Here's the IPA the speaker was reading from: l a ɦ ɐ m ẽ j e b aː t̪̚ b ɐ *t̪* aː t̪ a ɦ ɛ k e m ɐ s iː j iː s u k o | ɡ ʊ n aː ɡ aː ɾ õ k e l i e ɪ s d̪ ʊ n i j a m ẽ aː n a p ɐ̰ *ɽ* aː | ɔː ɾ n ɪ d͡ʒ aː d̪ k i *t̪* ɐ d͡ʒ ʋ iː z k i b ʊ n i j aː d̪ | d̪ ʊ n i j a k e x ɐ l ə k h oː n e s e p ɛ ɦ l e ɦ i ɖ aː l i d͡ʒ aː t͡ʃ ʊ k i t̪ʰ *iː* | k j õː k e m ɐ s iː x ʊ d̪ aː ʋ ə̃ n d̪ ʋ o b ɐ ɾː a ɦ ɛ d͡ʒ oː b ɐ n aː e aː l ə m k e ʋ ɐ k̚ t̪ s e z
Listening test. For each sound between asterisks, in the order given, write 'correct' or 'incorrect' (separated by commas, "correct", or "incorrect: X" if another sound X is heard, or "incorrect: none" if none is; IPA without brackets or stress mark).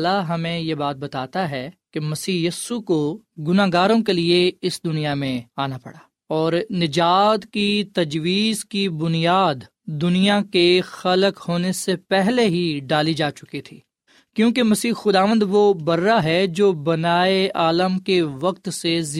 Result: correct, correct, correct, correct